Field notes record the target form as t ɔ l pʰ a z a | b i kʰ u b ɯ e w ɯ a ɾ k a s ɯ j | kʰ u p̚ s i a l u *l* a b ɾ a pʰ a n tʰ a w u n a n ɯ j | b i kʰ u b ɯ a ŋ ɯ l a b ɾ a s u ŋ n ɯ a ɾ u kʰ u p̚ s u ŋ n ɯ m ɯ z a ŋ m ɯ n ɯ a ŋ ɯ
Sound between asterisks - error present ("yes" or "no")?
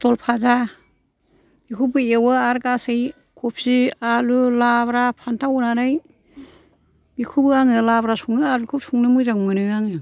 no